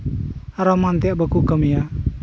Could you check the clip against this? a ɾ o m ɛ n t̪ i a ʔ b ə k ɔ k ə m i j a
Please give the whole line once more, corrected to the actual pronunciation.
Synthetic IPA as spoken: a ɾ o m a n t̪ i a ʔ b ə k u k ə m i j a